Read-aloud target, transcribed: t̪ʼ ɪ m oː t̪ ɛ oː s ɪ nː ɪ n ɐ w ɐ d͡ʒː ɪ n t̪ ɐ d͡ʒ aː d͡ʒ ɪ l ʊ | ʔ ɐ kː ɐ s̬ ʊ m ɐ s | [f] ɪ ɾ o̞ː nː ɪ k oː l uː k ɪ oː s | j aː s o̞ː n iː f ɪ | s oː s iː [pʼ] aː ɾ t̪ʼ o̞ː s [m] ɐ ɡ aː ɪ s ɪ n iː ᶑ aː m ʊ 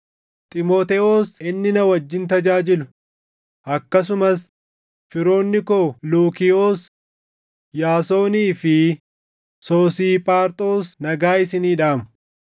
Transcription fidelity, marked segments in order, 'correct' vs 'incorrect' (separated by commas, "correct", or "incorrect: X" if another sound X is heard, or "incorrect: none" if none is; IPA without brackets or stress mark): correct, correct, incorrect: n